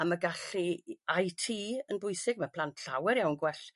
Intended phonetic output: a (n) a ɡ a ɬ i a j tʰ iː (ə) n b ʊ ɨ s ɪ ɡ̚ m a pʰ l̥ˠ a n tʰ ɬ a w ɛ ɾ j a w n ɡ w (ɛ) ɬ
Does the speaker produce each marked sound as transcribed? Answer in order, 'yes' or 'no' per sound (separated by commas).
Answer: no, yes, yes